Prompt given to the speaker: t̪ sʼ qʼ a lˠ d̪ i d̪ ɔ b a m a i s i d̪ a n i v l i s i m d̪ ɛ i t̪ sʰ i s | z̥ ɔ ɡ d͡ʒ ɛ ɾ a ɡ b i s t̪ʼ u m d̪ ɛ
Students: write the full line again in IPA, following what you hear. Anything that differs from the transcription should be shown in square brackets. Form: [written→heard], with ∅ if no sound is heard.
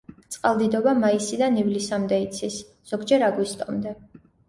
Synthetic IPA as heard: t̪ sʼ qʼ a lˠ d̪ i d̪ ɔ b a m a i s i d̪ a n i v l i s [i→a] m d̪ ɛ i t̪ sʰ i s | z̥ ɔ ɡ d͡ʒ ɛ ɾ a ɡ [b→w] i s t̪ʼ [u→ɔ] m d̪ ɛ